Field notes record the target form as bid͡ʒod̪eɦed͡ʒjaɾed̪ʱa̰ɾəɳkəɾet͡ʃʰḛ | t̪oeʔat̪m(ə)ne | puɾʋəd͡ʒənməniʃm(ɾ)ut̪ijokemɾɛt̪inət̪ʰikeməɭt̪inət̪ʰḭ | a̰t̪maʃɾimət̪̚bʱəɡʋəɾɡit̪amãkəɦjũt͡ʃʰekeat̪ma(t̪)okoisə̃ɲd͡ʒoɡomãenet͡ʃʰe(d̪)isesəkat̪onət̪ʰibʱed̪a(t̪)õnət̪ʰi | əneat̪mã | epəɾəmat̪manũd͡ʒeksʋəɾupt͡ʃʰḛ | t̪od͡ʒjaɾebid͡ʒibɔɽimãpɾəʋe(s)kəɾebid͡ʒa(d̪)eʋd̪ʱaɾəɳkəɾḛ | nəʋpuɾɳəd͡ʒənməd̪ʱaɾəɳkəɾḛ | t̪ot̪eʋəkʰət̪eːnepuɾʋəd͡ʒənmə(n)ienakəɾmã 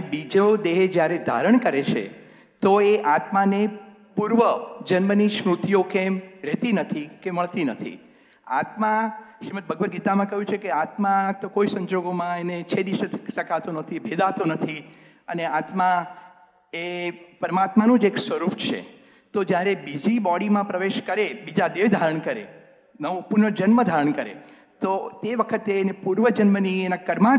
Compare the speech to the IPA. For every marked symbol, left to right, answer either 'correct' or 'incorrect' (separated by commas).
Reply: incorrect, correct, correct, correct, correct, incorrect, correct, correct